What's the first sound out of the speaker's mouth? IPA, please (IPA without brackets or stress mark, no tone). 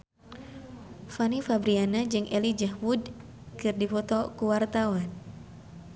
f